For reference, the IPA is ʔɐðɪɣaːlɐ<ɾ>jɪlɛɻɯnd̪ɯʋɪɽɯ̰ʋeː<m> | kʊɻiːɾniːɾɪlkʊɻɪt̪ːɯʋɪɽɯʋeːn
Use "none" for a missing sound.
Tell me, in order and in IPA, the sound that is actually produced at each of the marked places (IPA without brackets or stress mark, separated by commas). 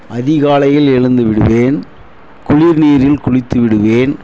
none, n